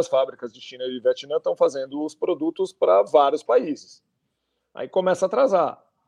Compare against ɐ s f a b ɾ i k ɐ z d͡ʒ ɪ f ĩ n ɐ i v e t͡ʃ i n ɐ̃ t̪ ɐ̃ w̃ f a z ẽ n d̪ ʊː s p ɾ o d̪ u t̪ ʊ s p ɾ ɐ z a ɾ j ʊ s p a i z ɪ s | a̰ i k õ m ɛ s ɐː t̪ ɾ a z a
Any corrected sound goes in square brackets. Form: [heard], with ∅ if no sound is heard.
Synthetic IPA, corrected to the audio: ɐ s f a b ɾ i k ɐ z d͡ʒ ɪ [ʃ] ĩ n ɐ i v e t͡ʃ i n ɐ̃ t̪ ɐ̃ w̃ f a z ẽ n d̪ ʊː s p ɾ o d̪ u t̪ ʊ s p ɾ ɐ [v] a ɾ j ʊ s p a i z ɪ s | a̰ i k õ m ɛ s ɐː t̪ ɾ a z a